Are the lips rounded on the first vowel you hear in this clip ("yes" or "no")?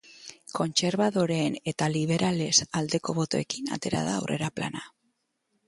yes